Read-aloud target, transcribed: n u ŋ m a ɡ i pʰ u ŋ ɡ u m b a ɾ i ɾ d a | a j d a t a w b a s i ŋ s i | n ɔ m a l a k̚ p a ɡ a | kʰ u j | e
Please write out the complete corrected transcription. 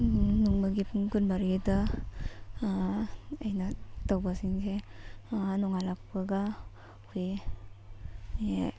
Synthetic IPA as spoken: n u ŋ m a ɡ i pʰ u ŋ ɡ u n b a ɾ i d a | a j n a t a w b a s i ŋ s e | n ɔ ŋ a l a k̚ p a ɡ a | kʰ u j | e